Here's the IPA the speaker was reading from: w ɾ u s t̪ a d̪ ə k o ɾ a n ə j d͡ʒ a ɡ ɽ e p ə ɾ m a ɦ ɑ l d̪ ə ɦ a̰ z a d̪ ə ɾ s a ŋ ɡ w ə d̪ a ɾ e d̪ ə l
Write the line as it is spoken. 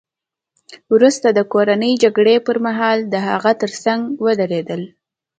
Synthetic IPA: w ɾ u s t̪ a d̪ ə k o ɾ a n ə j d͡ʒ a ɡ ɽ e p ə ɾ m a ɦ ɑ l d̪ ə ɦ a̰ ɣ a t̪ ə ɾ s a ŋ ɡ w ə d̪ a ɾ e d̪ ə l